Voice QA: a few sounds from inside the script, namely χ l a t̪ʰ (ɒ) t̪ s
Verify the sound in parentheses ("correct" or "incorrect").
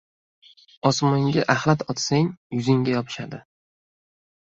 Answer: correct